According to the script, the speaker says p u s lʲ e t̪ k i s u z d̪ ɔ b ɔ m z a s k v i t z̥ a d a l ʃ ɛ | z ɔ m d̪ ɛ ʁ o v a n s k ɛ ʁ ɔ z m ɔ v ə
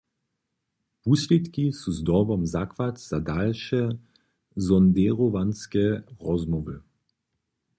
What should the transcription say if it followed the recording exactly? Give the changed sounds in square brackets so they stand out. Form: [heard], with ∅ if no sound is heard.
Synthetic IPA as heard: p u s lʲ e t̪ k i s u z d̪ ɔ b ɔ m z a [∅] k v [a] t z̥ a d a l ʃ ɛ | z ɔ [n] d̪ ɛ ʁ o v a n s k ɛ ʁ ɔ z m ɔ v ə